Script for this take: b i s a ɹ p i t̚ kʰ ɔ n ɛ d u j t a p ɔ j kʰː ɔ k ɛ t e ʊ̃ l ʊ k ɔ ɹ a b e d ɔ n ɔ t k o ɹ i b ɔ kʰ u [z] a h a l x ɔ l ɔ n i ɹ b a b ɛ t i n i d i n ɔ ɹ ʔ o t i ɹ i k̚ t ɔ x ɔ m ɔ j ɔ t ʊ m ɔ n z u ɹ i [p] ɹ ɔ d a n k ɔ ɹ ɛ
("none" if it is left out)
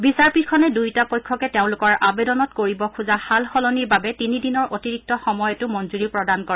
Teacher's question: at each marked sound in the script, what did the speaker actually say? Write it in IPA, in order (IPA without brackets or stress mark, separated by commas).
z, p